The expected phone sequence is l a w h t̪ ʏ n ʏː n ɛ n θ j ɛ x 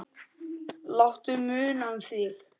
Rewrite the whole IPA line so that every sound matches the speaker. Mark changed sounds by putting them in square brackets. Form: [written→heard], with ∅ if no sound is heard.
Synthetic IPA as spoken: l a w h t̪ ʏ [n→m] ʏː n [ɛ→a] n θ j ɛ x